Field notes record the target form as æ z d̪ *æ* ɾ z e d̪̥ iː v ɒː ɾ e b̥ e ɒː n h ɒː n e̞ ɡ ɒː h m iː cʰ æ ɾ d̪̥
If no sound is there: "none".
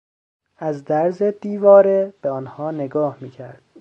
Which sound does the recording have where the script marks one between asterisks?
æ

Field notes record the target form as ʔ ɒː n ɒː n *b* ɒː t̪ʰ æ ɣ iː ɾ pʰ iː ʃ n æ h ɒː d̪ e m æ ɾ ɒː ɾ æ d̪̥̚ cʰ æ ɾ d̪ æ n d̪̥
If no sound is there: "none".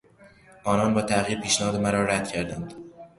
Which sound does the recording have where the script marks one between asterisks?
b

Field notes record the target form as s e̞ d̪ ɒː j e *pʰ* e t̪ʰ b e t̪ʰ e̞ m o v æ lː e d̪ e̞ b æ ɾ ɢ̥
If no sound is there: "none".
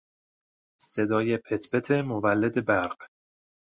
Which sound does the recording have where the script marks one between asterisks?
pʰ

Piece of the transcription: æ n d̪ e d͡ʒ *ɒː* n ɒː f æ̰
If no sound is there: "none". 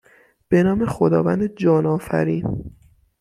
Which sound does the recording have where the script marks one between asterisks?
ɒː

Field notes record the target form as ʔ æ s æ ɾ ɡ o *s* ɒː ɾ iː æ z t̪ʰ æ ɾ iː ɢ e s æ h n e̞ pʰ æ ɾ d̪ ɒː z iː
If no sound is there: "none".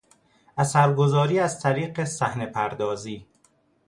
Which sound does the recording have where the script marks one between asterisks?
z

